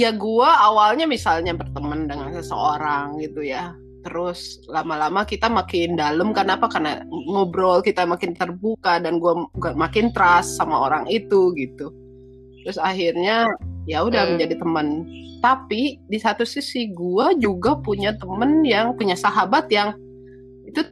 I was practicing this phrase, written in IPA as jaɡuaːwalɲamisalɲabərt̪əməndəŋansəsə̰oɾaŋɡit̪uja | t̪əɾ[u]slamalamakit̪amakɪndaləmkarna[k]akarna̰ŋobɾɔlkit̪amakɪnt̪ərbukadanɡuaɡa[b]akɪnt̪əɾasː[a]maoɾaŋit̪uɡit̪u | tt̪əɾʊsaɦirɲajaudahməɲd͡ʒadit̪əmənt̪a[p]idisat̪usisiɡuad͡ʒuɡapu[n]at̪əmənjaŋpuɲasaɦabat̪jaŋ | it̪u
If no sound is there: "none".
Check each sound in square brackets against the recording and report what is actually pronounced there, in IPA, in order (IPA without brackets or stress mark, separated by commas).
ʊ, p, m, a, p, ɲ